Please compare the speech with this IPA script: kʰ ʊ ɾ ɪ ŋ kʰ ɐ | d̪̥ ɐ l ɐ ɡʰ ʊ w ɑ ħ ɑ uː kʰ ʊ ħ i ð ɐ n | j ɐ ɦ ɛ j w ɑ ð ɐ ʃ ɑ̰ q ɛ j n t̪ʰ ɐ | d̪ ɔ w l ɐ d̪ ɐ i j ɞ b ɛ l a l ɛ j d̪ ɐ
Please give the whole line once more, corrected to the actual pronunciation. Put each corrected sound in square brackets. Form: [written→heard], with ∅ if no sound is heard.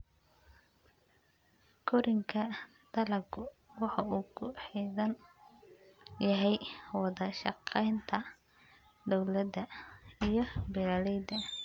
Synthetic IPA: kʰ ʊ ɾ ɪ ŋ kʰ ɐ | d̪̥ ɐ l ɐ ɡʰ ʊ w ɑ ħ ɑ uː kʰ ʊ ħ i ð ɐ n | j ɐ ɦ ɛ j w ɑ ð ɐ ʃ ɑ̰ q ɛ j n t̪ʰ ɐ | d̪ ɔ w l ɐ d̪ ɐ i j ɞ b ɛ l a l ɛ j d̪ ɐ